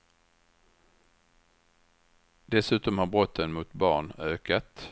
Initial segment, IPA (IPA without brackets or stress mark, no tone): d̪